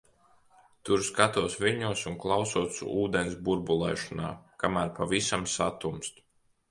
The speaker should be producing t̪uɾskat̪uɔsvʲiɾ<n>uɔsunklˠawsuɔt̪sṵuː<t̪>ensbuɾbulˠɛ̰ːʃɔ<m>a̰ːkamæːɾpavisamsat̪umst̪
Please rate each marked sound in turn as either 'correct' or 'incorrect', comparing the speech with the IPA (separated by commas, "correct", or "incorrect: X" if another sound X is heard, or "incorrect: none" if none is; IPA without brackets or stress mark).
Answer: incorrect: ɲ, incorrect: d̪, incorrect: n